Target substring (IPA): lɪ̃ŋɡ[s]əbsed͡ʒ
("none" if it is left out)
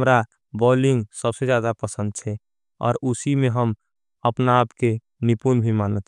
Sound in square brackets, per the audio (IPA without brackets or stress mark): s